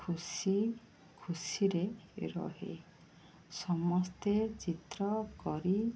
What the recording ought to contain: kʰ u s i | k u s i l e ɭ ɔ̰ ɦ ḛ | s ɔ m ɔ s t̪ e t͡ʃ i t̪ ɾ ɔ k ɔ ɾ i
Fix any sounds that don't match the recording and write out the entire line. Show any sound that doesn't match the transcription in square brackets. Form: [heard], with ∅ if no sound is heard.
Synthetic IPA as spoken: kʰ u s i | [kʰ] u s i [ɾ] e [ɾ] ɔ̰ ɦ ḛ | s ɔ m ɔ s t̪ e t͡ʃ i t̪ ɾ ɔ k ɔ ɾ i